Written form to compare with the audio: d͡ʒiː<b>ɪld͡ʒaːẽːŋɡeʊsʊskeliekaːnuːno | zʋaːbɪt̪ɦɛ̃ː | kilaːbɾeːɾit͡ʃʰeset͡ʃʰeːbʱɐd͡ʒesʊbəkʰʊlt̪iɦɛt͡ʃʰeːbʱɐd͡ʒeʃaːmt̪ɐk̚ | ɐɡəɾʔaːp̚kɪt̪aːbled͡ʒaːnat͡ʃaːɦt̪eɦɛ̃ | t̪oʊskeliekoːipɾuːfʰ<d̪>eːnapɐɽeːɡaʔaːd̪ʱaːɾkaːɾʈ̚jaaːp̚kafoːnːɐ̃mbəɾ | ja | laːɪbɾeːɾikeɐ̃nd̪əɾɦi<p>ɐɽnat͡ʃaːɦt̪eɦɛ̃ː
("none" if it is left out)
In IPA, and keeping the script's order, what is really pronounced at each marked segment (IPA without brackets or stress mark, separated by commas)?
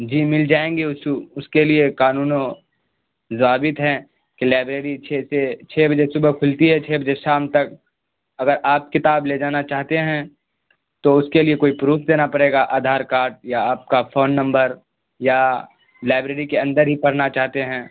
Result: m, d̪, p